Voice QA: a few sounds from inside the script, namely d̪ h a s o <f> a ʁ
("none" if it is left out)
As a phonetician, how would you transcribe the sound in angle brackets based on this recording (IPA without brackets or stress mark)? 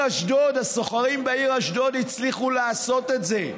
χ